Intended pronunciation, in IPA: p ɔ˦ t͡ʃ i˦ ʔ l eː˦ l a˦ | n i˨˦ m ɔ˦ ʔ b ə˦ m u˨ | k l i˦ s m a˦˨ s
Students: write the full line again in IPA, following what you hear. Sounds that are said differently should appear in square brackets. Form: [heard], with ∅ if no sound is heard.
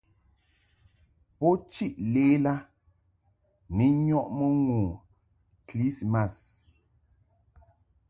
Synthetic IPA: p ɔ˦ t͡ʃ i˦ ʔ l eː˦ l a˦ | n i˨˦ [ɲ] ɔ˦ ʔ [m] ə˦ [ŋ] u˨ | k l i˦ s m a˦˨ s